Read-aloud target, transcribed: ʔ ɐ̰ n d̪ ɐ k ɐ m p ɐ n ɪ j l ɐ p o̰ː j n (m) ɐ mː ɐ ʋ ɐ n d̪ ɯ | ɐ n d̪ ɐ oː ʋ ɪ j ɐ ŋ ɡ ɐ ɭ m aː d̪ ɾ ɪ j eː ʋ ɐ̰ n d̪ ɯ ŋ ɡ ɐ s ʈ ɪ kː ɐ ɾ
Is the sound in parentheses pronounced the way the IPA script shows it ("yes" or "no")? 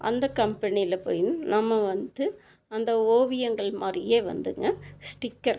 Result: no